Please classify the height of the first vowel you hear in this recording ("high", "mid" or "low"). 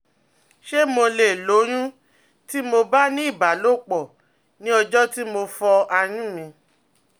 mid